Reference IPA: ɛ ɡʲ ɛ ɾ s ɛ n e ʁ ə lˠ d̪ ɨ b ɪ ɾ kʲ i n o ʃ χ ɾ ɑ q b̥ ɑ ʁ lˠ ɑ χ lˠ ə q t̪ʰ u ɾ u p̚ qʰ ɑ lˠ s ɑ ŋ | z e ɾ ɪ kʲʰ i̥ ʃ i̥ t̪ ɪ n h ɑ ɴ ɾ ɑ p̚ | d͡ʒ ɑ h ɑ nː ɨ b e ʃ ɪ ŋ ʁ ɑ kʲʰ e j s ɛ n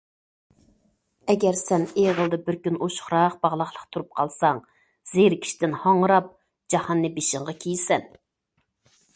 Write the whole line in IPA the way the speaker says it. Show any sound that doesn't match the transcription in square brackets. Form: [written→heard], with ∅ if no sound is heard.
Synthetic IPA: ɛ ɡʲ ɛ ɾ s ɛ n e ʁ ə lˠ d̪ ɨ b ɪ ɾ kʲ [i→y] n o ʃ χ ɾ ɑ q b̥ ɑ ʁ lˠ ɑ χ lˠ ə q t̪ʰ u ɾ u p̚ qʰ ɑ lˠ s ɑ ŋ | z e ɾ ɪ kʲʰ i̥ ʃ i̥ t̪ ɪ n h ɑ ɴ ɾ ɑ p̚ | d͡ʒ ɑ h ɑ nː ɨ b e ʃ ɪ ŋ ʁ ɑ kʲʰ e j s ɛ n